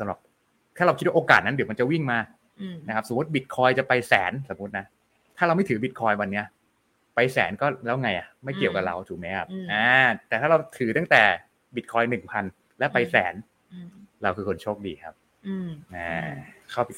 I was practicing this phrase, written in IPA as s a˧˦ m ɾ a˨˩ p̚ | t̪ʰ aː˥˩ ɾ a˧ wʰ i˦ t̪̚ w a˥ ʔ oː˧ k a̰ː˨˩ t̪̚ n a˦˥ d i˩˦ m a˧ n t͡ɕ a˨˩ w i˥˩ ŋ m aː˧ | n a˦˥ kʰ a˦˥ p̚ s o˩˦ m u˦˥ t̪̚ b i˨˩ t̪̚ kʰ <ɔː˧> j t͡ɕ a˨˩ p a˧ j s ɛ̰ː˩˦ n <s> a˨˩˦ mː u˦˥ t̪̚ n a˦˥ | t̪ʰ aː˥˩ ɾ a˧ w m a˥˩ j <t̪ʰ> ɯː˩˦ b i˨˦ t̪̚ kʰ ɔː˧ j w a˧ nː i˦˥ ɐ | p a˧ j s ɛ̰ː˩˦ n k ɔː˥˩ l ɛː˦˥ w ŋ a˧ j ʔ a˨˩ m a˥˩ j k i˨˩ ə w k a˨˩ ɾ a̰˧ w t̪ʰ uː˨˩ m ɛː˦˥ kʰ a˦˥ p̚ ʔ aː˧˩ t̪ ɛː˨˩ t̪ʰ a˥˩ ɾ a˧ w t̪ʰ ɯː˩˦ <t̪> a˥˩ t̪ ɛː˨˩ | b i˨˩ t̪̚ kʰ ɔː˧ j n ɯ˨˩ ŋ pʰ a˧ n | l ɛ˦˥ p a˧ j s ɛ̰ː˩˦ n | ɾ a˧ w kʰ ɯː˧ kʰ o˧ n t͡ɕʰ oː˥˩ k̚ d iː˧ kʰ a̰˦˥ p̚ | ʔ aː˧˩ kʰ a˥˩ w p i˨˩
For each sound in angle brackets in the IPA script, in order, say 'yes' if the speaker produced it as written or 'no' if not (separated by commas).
yes, yes, yes, yes